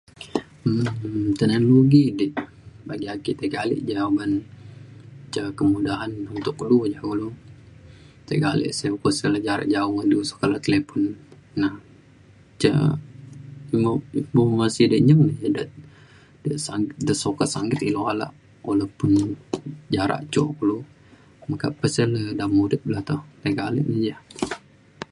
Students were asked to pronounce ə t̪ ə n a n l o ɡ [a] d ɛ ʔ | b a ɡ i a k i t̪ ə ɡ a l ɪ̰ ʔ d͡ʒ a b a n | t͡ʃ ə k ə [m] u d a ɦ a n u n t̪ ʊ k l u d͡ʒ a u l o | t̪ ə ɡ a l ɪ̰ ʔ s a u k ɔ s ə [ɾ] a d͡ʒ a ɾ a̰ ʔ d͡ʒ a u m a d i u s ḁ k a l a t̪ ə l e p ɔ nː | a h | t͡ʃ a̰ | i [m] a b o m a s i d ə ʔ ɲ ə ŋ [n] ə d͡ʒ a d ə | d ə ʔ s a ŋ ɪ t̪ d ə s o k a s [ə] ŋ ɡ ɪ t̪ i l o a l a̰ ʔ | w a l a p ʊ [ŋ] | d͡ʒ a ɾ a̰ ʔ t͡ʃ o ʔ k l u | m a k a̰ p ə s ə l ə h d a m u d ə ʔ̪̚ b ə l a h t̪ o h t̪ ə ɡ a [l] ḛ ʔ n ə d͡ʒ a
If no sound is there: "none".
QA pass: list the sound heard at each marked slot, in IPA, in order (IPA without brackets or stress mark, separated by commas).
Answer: i, m, l, m, n, a, n, l